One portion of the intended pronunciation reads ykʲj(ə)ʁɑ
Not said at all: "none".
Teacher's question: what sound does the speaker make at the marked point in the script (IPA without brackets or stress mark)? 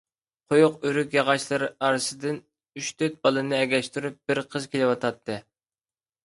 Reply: ɑ